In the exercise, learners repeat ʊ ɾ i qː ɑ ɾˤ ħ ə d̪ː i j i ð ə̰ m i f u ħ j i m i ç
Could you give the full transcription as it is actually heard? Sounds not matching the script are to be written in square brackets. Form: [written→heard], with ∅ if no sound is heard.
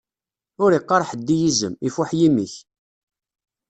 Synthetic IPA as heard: ʊ ɾ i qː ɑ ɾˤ ħ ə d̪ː i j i [ð→z] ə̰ m i f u ħ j i m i ç

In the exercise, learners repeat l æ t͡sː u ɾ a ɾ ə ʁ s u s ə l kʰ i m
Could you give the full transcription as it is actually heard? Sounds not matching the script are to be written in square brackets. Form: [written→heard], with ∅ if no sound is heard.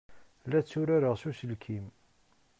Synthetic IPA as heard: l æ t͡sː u ɾ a ɾ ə ʁ s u s ə l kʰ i m

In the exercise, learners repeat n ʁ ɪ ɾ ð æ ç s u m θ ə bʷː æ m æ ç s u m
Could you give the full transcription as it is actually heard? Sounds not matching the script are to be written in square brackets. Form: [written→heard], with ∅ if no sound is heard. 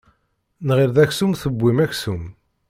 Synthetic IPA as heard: n ʁ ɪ ɾ ð æ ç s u m θ ə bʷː [æ→i] m æ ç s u m

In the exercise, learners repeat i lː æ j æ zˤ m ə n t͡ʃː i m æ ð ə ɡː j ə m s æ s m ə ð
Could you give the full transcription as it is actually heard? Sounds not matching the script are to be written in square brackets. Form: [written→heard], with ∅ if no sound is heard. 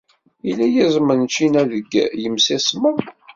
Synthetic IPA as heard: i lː æ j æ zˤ m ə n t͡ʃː i [m→n] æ ð ə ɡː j ə m s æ s m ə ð

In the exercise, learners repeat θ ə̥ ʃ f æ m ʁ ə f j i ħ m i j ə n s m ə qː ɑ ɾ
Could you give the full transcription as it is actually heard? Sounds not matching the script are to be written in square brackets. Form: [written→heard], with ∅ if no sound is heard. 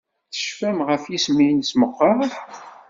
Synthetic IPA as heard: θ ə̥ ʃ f æ m ʁ ə f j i [ħ→s] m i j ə n s m ə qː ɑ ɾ

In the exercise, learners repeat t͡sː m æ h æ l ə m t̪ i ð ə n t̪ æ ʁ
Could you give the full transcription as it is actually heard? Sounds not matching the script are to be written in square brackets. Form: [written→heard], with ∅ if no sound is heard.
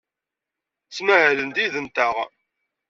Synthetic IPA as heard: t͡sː m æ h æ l ə [m→n] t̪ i ð ə n t̪ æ ʁ

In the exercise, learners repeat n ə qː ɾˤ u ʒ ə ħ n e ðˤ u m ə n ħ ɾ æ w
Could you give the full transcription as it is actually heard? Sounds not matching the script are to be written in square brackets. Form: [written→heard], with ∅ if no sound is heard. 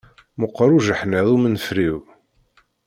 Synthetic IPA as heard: [n→m] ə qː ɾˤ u ʒ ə ħ n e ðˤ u m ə n [ħ→f] ɾ [æ→i] w

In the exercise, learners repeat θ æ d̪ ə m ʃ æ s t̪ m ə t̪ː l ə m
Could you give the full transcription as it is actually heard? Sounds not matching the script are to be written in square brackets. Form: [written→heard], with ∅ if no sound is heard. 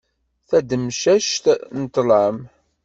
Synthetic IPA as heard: θ æ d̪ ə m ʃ æ [s→ʃ] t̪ [m→n] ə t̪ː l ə m

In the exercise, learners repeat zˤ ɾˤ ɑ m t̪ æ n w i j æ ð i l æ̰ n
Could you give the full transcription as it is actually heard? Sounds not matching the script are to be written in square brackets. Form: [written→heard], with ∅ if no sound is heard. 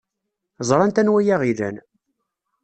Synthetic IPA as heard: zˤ ɾˤ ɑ [m→n] t̪ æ n w [i→æ] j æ [ð→ʁ] i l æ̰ n

